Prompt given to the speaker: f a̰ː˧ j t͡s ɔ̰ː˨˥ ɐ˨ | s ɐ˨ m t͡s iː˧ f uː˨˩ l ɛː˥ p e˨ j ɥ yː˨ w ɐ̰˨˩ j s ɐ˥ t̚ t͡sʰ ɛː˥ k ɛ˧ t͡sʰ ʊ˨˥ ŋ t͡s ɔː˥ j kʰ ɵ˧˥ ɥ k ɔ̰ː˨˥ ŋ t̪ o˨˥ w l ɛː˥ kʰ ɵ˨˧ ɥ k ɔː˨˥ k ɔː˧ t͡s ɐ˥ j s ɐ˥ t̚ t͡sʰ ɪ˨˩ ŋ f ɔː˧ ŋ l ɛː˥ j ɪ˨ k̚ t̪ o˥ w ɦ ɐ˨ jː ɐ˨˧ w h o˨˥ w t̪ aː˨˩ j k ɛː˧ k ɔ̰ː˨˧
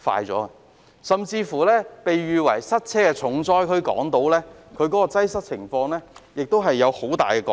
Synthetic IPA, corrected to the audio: f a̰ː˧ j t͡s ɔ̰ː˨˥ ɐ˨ | s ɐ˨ m t͡s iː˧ f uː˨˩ l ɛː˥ p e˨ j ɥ yː˨ w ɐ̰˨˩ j s ɐ˥ t̚ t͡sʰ ɛː˥ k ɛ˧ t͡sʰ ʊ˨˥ ŋ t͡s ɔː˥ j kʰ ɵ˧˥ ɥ k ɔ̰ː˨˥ ŋ t̪ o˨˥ w l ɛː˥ kʰ ɵ˨˧ ɥ k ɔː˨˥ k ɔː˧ t͡s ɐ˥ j s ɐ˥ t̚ t͡sʰ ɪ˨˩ ŋ f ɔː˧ ŋ l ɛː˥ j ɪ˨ k̚ t̪ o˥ w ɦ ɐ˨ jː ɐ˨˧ w h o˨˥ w t̪ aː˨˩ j k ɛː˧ k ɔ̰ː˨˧